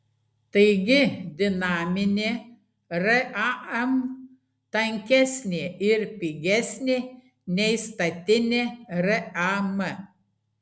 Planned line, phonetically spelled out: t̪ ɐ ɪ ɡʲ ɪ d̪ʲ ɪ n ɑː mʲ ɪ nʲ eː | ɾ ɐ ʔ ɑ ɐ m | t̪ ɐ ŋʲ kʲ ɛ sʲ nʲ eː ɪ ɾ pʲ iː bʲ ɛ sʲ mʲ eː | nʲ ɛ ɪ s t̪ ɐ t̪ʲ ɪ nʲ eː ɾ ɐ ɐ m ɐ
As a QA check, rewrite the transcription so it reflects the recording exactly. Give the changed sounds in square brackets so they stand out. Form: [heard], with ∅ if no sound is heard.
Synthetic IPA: t̪ ɐ ɪ ɡʲ ɪ d̪ʲ ɪ n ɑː mʲ ɪ nʲ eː | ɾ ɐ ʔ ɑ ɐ m | t̪ ɐ ŋʲ kʲ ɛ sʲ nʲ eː ɪ ɾ pʲ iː [ɡʲ] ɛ sʲ [nʲ] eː | nʲ ɛ ɪ s t̪ ɐ t̪ʲ ɪ nʲ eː ɾ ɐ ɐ m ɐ